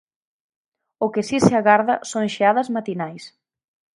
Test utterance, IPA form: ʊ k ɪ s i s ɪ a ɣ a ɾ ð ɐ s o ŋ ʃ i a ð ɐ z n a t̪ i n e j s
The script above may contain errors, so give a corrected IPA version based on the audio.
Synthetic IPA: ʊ k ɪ s i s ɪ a ɣ a ɾ ð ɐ s o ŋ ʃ e a ð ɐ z m a t̪ i n a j s